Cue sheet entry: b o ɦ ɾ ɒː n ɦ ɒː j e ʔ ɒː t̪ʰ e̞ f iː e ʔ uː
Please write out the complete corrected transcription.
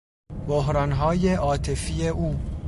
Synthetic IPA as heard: b o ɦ ɾ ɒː n ɦ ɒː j e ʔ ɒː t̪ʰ e̞ f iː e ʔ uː

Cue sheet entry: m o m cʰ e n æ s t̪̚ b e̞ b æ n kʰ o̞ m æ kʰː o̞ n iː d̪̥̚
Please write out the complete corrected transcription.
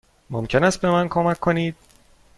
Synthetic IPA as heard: m o m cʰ e n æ s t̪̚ b e̞ m æ n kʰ o̞ m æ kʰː o̞ n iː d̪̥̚

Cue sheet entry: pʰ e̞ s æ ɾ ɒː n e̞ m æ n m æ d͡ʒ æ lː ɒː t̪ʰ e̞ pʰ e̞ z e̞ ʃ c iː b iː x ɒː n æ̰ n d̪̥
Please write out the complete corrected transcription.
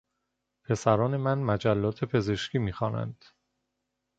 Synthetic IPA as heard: pʰ e̞ s æ ɾ ɒː n e̞ m æ n m æ d͡ʒ æ lː ɒː t̪ʰ e̞ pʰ e̞ z e̞ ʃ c iː m iː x ɒː n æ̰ n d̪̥

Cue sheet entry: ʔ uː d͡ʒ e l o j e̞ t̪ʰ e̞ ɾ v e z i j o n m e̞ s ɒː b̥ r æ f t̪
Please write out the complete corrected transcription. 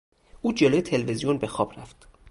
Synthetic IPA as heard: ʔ uː d͡ʒ e l o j e̞ t̪ʰ e̞ l v e z i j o n b e̞ x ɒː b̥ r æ f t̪

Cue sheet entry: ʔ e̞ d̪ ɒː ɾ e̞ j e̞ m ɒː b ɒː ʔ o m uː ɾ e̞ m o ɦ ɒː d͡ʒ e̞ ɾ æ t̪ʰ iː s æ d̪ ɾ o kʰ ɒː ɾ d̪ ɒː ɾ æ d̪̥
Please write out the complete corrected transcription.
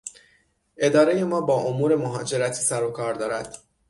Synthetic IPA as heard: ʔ e̞ d̪ ɒː ɾ e̞ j e̞ m ɒː b ɒː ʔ o m uː ɾ e̞ m o ɦ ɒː d͡ʒ e̞ ɾ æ t̪ʰ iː s æ ɾ o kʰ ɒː ɾ d̪ ɒː ɾ æ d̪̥

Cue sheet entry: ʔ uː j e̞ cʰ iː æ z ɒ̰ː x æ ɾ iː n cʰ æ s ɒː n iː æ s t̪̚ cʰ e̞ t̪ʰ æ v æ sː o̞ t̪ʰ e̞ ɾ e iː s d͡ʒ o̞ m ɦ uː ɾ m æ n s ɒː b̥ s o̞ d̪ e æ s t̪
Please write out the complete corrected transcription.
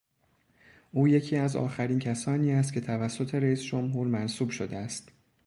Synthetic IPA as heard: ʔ uː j e̞ cʰ iː æ z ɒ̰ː x æ ɾ iː n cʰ æ s ɒː n iː æ s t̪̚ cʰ e̞ t̪ʰ æ v æ sː o̞ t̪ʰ e̞ ɾ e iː s d͡ʒ o̞ m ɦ uː ɾ m æ n s uː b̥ ʃ o̞ d̪ e æ s t̪

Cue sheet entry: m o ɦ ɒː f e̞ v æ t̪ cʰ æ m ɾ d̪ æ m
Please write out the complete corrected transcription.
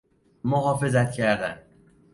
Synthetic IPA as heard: m o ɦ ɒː f e̞ z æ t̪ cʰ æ ɾ d̪ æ n

